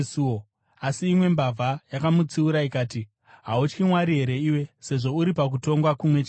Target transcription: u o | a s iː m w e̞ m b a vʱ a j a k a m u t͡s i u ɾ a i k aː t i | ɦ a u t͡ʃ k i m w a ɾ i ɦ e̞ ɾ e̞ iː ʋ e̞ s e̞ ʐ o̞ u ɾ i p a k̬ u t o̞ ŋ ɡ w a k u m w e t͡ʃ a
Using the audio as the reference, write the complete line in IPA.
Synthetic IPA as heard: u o | a s iː m w e̞ m b a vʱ a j a k a m u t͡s i u ɾ a i k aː t i | ɦ a u t͡ʃ k i m w a ɾ i ɦ e̞ ɾ e̞ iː w e̞ s e̞ ʐ o̞ u ɾ i p a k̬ u t o̞ ŋ ɡ w a k u m w e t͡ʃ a